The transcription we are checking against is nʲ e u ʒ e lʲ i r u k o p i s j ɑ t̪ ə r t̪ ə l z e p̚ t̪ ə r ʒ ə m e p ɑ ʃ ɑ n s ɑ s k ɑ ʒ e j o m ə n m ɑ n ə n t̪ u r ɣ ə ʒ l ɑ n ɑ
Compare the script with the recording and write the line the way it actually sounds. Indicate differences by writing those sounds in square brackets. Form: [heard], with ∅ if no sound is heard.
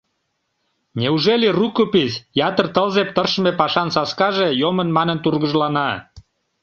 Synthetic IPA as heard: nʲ e u ʒ e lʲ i r u k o p i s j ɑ t̪ ə r t̪ ə l z e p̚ t̪ ə r [ʃ] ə m e p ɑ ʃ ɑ n s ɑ s k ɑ ʒ e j o m ə n m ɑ n ə n t̪ u r ɣ ə ʒ l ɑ n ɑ